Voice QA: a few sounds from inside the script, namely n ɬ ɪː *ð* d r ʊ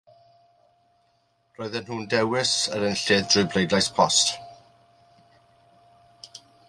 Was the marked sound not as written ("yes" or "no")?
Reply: no